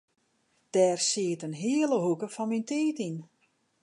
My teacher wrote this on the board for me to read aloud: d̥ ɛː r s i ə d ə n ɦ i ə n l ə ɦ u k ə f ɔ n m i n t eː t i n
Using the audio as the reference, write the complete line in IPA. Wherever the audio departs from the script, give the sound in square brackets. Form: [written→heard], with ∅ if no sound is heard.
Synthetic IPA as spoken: d̥ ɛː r s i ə [d→t] ə n ɦ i ə [n→∅] l ə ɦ u k ə f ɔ n m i n t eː t i n

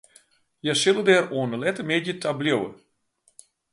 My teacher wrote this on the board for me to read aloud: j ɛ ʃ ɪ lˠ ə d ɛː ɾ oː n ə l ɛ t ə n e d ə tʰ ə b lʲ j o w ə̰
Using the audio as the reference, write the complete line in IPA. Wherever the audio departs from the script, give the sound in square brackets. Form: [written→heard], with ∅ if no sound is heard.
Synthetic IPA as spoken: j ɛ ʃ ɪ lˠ ə d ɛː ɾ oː n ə l ɛ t ə [n→m] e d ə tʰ [ə→a] b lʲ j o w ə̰

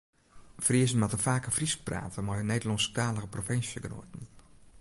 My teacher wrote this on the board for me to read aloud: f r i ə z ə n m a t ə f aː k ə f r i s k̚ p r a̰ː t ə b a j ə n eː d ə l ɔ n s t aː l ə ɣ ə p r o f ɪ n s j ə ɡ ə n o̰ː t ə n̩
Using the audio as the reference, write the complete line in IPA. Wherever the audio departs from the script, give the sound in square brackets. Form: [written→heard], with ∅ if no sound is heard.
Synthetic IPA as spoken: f r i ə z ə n m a t ə f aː k ə f r i s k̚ p r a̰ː t ə [b→m] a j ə n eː d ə l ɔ n s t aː l ə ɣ ə p r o f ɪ n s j ə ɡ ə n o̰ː t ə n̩

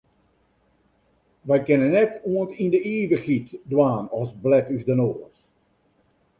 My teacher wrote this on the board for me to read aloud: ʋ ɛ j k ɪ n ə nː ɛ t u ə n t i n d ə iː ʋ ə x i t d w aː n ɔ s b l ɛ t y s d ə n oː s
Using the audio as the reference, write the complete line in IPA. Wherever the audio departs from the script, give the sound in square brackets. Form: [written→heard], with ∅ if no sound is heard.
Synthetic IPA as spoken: ʋ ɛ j k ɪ n ə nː ɛ t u ə n t i n d ə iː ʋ ə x i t d w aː n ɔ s b l ɛ t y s d ə n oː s

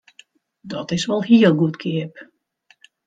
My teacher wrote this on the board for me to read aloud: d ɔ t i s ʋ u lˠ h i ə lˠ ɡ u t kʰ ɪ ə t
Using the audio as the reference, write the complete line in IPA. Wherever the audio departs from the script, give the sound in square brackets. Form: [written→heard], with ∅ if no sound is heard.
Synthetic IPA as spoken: d ɔ t [i→ɪ] s ʋ [u→ɔ] lˠ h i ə lˠ ɡ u t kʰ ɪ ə [t→p]

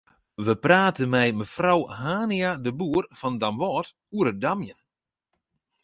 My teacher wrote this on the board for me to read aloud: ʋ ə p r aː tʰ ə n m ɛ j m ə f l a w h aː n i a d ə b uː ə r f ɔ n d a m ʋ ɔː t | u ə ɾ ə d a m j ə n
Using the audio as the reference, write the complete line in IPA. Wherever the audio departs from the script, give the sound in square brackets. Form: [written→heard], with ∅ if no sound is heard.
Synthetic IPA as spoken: ʋ ə p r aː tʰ ə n m ɛ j m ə f [l→r] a w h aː n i a d ə b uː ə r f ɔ n d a m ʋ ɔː t | u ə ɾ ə d a m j ə n

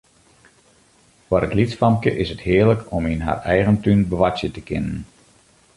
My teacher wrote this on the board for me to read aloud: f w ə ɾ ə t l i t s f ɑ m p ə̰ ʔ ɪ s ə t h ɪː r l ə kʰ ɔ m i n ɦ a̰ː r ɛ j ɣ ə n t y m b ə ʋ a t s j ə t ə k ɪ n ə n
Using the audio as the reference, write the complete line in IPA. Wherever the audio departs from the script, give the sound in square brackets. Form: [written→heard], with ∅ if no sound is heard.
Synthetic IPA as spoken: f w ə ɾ ə t l i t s f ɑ m [p→k] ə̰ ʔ ɪ s ə t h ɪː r l ə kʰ ɔ m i n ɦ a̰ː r ɛ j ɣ ə n t y [m→n] b ə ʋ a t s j ə t ə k ɪ n ə n

